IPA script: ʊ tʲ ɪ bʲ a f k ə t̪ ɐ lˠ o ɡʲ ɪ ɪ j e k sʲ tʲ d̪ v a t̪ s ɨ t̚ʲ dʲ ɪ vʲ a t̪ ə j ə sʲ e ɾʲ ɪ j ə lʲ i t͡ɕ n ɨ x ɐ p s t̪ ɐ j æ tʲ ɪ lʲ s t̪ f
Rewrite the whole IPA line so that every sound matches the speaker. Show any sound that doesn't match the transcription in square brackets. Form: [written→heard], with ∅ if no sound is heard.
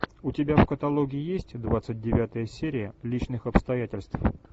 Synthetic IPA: ʊ tʲ ɪ bʲ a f k ə t̪ ɐ lˠ o ɡʲ ɪ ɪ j e [k→∅] sʲ tʲ d̪ v a t̪ s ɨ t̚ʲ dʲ ɪ vʲ a t̪ ə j ə sʲ e ɾʲ ɪ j ə lʲ i t͡ɕ n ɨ x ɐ p s t̪ ɐ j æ tʲ ɪ lʲ s t̪ f